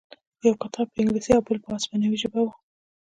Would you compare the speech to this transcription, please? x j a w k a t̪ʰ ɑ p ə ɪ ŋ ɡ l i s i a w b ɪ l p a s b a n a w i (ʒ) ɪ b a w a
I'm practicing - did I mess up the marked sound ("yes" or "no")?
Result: no